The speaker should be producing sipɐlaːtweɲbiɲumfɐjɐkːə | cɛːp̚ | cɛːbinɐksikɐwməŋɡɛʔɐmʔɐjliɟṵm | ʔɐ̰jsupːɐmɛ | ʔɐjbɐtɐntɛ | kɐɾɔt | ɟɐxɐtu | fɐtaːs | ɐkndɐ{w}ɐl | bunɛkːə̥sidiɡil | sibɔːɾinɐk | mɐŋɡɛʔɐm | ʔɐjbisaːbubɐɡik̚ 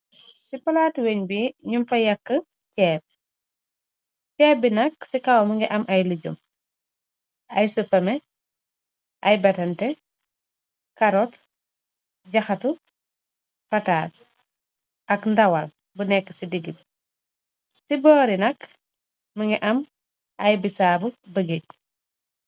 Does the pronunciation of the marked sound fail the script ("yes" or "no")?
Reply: no